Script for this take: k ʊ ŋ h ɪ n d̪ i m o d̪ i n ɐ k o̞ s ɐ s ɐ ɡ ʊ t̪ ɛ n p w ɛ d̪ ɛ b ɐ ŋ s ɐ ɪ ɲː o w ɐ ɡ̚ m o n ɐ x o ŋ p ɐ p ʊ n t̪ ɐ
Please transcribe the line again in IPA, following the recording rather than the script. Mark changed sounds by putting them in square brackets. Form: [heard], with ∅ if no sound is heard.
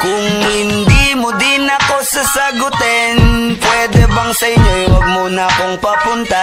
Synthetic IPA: k ʊ ŋ h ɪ n d̪ i m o d̪ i n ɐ k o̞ s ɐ s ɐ ɡ ʊ t̪ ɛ n p w ɛ d̪ ɛ b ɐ ŋ s ɐ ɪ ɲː o w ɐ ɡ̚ m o n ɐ [k] o ŋ p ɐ p ʊ n t̪ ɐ